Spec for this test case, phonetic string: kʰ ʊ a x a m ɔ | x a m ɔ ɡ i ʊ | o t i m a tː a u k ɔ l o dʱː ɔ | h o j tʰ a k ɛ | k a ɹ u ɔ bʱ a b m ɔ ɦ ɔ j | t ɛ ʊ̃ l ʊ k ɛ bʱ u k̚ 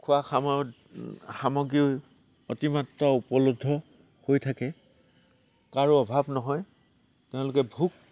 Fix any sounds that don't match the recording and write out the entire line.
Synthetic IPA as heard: kʰ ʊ a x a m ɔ | x a m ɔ ɡ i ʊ | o t i m a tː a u p ɔ l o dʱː ɔ | h o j tʰ a k ɛ | k a ɹ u ɔ bʱ a b n ɔ ɦ ɔ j | t ɛ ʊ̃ l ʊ k ɛ bʱ u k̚